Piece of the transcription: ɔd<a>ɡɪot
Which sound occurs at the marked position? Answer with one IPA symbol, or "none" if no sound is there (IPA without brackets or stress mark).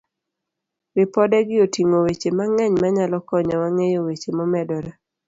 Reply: ɛ